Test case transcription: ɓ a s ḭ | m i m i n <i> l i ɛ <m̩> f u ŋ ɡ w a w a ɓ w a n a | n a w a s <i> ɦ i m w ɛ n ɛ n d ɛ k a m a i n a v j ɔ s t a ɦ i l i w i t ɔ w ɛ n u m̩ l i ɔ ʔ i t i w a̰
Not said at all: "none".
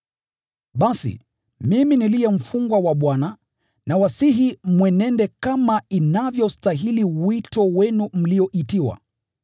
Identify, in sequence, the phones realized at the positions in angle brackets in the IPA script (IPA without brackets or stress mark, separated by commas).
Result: i, m̩, i